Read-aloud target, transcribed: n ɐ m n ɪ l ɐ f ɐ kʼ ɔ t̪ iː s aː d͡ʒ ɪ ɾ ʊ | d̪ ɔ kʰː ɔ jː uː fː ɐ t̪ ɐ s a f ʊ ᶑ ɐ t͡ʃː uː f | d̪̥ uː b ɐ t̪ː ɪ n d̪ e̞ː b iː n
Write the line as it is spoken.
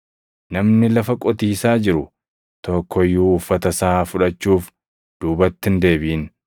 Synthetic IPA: n ɐ m n ɪ l ɐ f ɐ kʼ ɔ t̪ iː s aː d͡ʒ ɪ ɾ ʊ | t̪ ɔ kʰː ɔ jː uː fː ɐ t̪ ɐ s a f ʊ ᶑ ɐ t͡ʃː uː f | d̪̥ uː b ɐ t̪ː ɪ n d̪ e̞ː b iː n